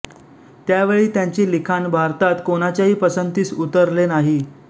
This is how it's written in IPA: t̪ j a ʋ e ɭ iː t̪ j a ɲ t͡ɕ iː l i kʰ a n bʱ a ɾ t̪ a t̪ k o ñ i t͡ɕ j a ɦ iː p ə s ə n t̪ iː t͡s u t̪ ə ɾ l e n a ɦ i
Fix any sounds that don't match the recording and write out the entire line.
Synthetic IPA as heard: t̪ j a ʋ e ɭ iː t̪ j a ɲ t͡ɕ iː l i kʰ a n bʱ a ɾ t̪ a t̪ k o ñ a t͡ɕ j a ɦ iː p ə s ə n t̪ iː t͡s u t̪ ə ɾ l e n a ɦ i